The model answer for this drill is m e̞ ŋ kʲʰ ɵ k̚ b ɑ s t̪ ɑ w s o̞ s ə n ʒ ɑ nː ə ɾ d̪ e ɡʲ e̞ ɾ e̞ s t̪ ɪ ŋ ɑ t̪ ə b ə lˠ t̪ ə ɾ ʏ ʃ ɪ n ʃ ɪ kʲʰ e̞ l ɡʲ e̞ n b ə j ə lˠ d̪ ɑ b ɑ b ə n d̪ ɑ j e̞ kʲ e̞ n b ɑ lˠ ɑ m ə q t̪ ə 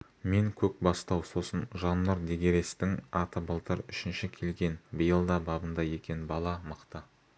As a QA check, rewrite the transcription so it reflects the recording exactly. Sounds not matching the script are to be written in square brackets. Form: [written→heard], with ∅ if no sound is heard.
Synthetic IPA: m e̞ ŋ kʲʰ ɵ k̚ b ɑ s t̪ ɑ w s o̞ s ə n ʒ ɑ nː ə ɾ d̪ e ɡʲ e̞ ɾ e̞ s t̪ ɪ ŋ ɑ t̪ ə b ə lˠ t̪ ə ɾ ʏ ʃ ɪ n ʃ ɪ kʲʰ e̞ l ɡʲ e̞ n b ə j ə lˠ d̪ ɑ b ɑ b ə n d̪ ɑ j e̞ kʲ e̞ n b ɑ lˠ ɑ m ə q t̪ ə